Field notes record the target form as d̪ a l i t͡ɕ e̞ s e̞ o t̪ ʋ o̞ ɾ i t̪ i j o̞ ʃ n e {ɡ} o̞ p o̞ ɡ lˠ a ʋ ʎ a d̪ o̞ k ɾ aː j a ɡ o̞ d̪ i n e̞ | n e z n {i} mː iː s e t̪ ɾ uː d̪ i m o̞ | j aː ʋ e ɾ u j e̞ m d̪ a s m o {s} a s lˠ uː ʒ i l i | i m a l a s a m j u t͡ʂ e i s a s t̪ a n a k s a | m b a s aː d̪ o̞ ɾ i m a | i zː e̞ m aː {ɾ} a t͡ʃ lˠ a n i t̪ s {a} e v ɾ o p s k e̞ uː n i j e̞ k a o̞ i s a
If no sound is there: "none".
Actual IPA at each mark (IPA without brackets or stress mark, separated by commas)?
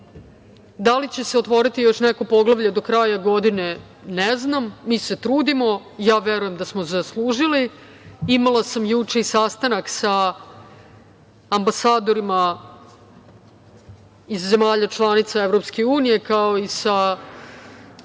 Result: k, a, z, ʎ, a